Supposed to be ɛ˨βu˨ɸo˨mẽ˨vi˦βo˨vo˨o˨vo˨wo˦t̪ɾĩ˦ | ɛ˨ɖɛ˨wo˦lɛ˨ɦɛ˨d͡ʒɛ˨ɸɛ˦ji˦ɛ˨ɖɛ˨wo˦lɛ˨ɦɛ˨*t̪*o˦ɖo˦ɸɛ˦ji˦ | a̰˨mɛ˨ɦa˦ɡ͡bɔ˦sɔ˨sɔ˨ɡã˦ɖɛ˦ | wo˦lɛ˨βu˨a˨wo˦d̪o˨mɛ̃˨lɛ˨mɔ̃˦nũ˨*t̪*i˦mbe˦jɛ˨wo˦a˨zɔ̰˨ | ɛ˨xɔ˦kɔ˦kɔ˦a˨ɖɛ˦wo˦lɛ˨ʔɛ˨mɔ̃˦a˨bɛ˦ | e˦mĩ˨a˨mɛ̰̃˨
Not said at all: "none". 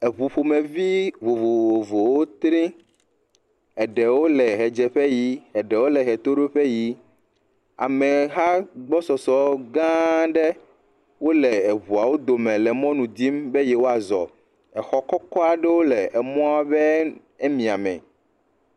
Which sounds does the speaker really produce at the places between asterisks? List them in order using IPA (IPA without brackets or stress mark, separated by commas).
t̪, d̪